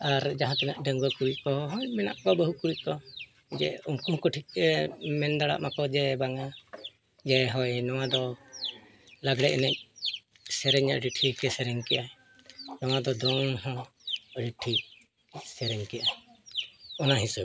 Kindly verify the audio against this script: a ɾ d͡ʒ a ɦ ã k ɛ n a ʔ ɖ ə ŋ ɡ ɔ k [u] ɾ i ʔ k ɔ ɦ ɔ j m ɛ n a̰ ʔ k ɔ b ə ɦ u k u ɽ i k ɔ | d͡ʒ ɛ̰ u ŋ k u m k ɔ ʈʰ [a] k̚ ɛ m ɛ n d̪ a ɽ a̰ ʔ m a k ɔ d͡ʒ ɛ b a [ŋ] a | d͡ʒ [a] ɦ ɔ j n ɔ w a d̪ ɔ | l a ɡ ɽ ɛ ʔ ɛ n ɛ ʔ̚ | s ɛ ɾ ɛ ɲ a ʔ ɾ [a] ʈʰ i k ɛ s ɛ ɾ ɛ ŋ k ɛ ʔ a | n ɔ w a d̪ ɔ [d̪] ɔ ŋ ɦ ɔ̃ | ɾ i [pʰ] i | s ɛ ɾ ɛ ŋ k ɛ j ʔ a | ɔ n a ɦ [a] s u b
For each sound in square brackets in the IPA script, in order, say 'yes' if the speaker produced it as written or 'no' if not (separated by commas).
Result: yes, no, yes, no, no, yes, no, no